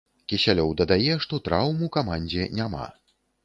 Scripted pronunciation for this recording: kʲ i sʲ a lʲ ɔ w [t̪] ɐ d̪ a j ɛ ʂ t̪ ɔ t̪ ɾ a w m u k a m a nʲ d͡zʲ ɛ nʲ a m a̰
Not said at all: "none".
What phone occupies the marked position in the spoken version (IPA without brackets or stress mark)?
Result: d̪